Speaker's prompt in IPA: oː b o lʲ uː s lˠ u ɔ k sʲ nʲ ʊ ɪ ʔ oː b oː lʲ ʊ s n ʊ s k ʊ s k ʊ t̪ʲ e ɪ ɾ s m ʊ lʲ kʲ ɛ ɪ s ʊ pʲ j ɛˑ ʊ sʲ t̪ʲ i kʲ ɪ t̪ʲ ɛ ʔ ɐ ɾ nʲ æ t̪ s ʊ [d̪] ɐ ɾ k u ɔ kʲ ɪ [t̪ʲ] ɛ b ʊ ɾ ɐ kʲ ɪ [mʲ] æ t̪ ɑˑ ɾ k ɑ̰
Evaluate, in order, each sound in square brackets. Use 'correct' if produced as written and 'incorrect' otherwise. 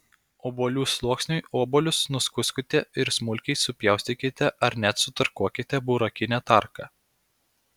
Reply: incorrect, correct, incorrect

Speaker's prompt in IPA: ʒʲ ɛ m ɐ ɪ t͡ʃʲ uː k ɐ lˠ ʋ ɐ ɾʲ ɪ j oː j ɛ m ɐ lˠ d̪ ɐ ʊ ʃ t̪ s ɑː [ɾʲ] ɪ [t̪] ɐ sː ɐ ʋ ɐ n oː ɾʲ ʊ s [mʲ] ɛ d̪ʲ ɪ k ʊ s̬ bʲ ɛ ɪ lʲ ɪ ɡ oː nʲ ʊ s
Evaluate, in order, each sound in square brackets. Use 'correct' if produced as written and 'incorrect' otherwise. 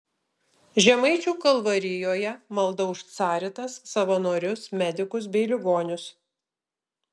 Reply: correct, correct, correct

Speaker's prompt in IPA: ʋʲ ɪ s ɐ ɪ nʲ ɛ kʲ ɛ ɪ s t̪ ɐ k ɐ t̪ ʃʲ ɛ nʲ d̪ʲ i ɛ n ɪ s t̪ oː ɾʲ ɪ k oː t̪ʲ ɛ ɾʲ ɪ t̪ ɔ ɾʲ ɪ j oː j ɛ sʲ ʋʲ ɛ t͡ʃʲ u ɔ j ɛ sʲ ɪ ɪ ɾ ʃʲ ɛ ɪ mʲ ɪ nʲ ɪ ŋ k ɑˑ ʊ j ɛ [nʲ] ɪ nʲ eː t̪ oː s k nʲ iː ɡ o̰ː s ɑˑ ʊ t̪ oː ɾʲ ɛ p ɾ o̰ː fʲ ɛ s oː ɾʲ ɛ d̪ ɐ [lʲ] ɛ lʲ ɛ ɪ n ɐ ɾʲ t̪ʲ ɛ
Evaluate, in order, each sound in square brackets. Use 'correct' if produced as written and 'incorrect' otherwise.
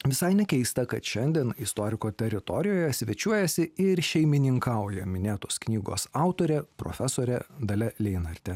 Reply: incorrect, correct

